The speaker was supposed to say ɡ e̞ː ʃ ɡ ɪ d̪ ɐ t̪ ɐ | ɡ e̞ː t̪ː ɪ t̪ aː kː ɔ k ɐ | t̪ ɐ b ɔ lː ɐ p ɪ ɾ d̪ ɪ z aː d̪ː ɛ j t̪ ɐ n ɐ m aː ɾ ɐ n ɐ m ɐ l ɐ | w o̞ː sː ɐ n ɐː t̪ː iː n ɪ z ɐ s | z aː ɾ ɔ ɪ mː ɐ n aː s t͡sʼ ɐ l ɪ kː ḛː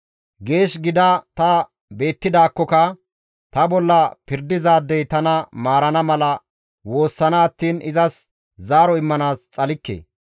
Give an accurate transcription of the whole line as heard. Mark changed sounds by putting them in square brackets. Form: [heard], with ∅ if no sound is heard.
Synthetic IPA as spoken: ɡ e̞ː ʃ ɡ ɪ d̪ ɐ t̪ ɐ | [b] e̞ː t̪ː ɪ [d̪] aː kː ɔ k ɐ | t̪ ɐ b ɔ lː ɐ p ɪ ɾ d̪ ɪ z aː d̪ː ɛ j t̪ ɐ n ɐ m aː ɾ ɐ n ɐ m ɐ l ɐ | w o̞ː sː ɐ n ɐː t̪ː iː n ɪ z ɐ s | z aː ɾ ɔ ɪ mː ɐ n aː s t͡sʼ ɐ l ɪ kː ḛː

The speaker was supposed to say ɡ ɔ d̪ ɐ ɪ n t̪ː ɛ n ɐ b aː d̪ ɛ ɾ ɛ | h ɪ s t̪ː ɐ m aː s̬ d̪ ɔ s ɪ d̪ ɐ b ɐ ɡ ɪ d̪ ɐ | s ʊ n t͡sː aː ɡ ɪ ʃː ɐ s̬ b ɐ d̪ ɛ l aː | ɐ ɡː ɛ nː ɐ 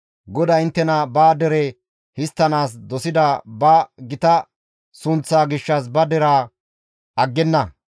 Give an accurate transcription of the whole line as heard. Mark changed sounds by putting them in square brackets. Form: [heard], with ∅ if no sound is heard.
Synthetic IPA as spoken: ɡ ɔ d̪ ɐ ɪ n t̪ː ɛ n ɐ b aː d̪ ɛ ɾ ɛ | h ɪ s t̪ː ɐ [n] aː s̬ d̪ ɔ s ɪ d̪ ɐ b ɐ ɡ ɪ [t̪] ɐ | s ʊ n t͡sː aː ɡ ɪ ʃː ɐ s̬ b ɐ d̪ ɛ [ɾ] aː | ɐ ɡː ɛ nː ɐ

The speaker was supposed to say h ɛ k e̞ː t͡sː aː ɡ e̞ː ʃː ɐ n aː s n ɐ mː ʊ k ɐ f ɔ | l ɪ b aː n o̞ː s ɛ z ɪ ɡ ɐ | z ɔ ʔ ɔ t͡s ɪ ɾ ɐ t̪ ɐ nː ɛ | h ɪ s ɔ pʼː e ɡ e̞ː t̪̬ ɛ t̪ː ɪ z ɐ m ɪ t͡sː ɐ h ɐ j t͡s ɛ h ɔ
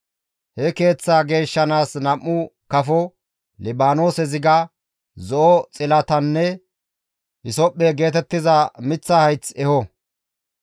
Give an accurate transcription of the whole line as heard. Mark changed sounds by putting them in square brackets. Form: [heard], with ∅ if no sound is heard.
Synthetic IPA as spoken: h ɛ k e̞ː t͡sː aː ɡ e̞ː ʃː ɐ n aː s n ɐ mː ʊ k ɐ f ɔ | l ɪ b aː n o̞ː s ɛ z ɪ ɡ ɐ | z ɔ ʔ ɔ [t͡sʼ] ɪ [l] ɐ t̪ ɐ nː ɛ | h ɪ s ɔ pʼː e ɡ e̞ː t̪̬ ɛ t̪ː ɪ z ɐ m ɪ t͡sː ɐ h ɐ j t͡s ɛ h ɔ

